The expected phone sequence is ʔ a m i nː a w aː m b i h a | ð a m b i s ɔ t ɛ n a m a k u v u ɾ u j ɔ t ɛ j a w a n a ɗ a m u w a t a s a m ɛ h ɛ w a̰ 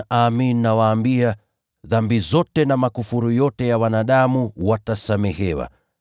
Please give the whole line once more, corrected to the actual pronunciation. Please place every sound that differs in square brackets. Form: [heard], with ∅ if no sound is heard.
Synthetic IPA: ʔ a m i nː a w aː m b i [∅] a | ð a m b i [z] ɔ t ɛ n a m a k u [f] u ɾ u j ɔ t ɛ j a w a n a ɗ a m u w a t a s a m ɛ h ɛ w a̰